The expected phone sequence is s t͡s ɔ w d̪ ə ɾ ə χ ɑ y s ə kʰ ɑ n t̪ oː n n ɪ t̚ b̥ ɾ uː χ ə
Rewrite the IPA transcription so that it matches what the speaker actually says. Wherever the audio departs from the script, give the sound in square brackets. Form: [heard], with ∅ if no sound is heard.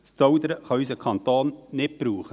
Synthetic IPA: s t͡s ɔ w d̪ ə ɾ ə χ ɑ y s ə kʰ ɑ n t̪ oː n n ɪ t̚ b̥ ɾ uː χ ə